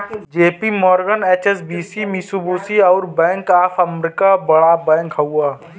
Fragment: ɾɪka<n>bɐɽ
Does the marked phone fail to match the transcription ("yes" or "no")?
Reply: yes